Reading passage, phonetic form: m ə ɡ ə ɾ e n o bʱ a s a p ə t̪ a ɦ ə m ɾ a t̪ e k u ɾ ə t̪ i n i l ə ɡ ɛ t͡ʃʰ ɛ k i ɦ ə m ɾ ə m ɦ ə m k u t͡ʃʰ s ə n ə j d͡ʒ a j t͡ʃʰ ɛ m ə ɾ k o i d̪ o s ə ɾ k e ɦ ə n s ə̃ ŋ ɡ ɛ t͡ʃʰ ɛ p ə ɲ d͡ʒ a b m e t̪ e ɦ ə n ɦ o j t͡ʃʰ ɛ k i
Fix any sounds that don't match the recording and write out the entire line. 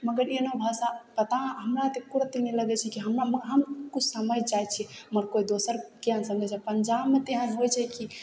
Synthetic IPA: m ə ɡ ə ɾ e n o bʱ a s a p ə t̪ a ɦ ə m ɾ a t̪ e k u ɾ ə t̪ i n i l ə ɡ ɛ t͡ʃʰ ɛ k i ɦ ə m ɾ a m ɦ ə m k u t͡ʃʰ s ə m ə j d͡ʒ a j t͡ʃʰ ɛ m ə ɾ k o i d̪ o s ə ɾ k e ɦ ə n s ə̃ ŋ ɡ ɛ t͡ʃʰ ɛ p ə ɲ d͡ʒ a b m e t̪ e ɦ ə n ɦ o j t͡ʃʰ ɛ k i

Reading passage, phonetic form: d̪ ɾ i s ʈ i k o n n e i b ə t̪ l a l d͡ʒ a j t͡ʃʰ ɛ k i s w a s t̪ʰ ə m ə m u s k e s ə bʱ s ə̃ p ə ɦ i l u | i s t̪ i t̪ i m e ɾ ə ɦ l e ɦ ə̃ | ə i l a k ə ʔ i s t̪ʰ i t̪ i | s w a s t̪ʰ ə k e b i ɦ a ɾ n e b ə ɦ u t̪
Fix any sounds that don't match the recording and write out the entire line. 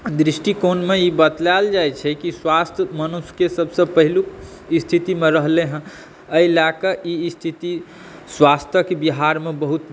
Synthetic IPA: d̪ ɾ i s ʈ i k o n m e i b ə t̪ l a l d͡ʒ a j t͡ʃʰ ɛ k i s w a s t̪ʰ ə m ə n u s k e s ə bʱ s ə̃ p ə ɦ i l u | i s t̪ʰ i t̪ i m e ɾ ə ɦ l e ɦ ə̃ | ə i l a k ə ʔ i s t̪ʰ i t̪ i | s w a s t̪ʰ ə k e b i ɦ a ɾ m e b ə ɦ u t̪

